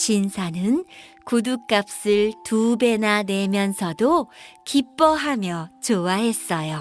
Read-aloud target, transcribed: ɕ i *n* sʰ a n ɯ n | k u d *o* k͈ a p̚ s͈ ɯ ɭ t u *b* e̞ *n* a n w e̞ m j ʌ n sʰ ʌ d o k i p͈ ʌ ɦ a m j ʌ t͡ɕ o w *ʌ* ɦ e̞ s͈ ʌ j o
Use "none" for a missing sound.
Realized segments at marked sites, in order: n, u, b, n, a

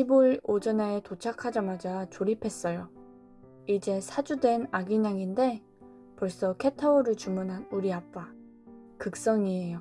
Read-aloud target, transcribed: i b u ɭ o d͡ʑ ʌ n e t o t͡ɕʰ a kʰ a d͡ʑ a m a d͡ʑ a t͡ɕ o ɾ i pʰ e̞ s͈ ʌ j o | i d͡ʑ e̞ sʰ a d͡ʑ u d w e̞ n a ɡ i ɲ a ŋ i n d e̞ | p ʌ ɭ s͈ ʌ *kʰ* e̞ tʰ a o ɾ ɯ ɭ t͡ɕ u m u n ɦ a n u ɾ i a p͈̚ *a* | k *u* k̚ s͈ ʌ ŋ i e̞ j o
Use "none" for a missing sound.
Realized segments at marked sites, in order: kʰ, a, ɯ

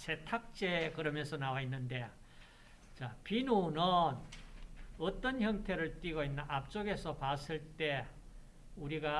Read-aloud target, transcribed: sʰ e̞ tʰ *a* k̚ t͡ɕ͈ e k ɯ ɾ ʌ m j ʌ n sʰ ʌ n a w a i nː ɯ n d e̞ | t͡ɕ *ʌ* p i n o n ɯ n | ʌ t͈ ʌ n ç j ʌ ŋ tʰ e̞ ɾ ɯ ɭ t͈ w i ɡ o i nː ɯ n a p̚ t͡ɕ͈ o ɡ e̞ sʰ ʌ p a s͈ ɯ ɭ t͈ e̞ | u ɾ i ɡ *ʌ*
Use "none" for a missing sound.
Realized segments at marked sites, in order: a, a, a

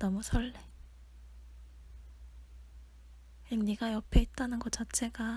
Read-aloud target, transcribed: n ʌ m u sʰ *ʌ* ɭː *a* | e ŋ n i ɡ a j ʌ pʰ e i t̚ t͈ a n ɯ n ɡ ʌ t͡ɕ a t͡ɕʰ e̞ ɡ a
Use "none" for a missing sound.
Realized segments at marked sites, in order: ʌ, e

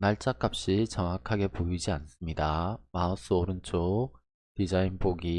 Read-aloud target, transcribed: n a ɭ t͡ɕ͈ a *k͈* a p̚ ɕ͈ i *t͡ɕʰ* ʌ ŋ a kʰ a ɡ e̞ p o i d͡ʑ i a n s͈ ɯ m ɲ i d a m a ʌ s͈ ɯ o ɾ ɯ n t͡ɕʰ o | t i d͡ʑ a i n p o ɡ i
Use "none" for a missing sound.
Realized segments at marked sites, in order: k͈, t͡ɕ

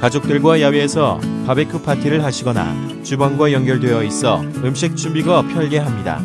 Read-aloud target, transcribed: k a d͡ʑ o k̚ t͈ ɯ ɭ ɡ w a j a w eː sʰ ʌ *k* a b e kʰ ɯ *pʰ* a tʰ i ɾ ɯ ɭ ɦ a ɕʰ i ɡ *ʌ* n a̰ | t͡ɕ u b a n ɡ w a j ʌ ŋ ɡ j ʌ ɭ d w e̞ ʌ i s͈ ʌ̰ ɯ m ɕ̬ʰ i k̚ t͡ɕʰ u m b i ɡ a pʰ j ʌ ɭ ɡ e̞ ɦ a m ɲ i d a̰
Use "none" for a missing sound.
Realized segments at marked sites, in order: p, pʰ, ʌ

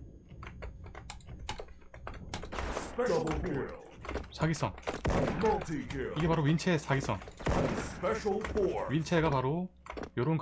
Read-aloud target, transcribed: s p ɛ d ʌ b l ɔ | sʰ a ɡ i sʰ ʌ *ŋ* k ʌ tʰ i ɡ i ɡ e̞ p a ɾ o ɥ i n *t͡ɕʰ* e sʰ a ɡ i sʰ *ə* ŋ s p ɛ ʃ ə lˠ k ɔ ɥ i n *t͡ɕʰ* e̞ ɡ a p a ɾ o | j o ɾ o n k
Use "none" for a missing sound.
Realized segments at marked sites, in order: ŋ, t͡ɕʰ, ʌ, t͡ɕʰ

